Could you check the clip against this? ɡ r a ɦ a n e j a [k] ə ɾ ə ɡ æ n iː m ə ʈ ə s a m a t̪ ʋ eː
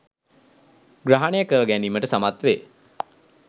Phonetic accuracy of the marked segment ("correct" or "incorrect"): correct